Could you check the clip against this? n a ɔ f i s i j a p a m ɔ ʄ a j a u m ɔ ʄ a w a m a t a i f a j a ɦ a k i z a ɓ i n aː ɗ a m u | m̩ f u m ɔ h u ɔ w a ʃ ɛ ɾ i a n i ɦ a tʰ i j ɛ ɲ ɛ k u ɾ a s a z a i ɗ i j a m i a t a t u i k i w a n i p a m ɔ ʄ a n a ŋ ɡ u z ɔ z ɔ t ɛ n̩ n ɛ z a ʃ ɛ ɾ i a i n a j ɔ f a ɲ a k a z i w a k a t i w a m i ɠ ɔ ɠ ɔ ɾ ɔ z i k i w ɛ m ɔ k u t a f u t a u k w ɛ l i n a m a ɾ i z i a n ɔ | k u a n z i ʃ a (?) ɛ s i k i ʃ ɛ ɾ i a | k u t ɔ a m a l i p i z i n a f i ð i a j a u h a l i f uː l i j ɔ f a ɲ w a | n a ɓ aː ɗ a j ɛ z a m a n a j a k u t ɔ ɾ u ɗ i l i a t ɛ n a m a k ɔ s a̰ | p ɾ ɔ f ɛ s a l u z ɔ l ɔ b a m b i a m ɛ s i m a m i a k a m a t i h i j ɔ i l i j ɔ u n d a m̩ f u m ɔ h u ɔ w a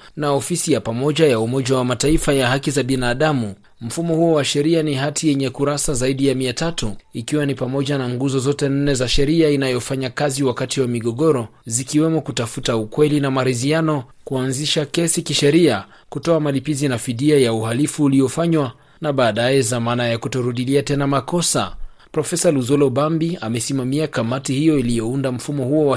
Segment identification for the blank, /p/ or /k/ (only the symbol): k